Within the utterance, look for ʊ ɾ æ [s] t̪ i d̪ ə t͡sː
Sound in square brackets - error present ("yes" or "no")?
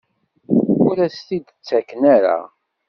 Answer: no